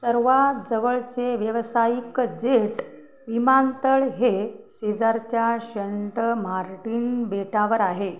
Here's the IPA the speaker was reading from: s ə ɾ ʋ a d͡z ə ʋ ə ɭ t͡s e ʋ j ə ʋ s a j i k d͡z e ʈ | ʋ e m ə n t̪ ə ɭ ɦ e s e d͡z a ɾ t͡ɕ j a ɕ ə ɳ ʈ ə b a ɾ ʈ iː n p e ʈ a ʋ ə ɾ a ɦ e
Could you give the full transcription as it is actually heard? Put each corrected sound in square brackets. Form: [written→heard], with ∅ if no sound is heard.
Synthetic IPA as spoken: s ə ɾ ʋ a d͡z ə ʋ ə ɭ t͡s e ʋ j ə ʋ s a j i k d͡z e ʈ | ʋ [e→i] m [ə→a] n t̪ ə ɭ ɦ e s e d͡z a ɾ t͡ɕ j a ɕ ə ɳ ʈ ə [b→m] a ɾ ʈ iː n [p→b] e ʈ a ʋ ə ɾ a ɦ e